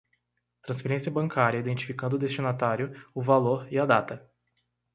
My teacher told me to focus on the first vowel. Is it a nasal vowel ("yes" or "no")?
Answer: yes